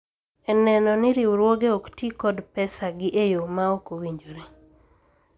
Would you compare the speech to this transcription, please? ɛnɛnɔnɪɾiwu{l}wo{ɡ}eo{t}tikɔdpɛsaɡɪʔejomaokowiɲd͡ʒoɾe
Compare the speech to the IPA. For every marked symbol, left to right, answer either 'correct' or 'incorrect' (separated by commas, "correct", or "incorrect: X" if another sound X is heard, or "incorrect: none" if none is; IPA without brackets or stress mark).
incorrect: ɾ, correct, incorrect: k